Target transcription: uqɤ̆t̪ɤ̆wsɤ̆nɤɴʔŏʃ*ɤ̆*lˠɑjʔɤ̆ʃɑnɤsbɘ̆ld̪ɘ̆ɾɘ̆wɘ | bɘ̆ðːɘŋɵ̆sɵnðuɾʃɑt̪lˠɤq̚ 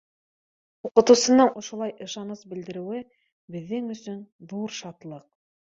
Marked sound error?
yes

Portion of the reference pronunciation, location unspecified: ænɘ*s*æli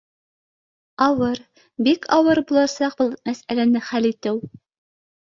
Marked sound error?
yes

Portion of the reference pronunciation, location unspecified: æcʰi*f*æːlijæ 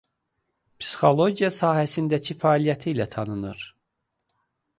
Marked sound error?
no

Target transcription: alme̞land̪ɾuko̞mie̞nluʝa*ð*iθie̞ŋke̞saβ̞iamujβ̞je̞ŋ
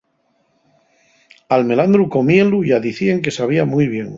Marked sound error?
no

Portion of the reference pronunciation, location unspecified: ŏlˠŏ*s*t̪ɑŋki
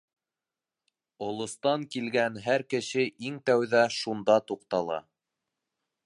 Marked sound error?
no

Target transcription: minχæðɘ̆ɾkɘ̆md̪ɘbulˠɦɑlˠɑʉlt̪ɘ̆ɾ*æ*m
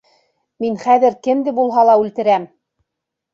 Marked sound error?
no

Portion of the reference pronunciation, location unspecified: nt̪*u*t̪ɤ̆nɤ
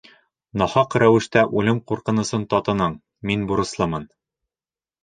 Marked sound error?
yes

